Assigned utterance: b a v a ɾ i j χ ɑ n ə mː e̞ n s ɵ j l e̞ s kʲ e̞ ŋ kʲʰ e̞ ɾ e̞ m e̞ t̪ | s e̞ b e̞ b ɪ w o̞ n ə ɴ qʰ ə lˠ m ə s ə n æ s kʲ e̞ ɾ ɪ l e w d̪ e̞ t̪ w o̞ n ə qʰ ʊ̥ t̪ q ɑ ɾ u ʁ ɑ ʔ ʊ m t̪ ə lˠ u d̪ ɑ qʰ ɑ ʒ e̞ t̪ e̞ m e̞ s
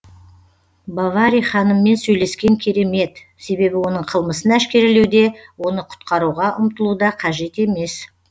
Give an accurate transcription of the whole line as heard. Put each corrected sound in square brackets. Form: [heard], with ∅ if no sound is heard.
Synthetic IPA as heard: b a v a ɾ i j χ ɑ n ə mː e̞ n s ɵ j l e̞ s kʲ e̞ ŋ kʲʰ e̞ ɾ e̞ m e̞ t̪ | s e̞ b e̞ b ɪ w o̞ n ə ɴ qʰ ə lˠ m ə s ə n æ [ʃ] kʲ e̞ ɾ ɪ l e w d̪ e̞ [∅] w o̞ n ə qʰ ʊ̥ t̪ q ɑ ɾ u ʁ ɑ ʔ ʊ m t̪ ə lˠ u d̪ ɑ qʰ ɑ ʒ e̞ t̪ e̞ m e̞ s